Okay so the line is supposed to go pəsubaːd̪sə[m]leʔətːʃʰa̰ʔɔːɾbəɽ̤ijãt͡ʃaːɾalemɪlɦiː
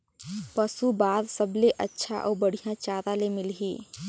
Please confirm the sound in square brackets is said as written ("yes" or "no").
no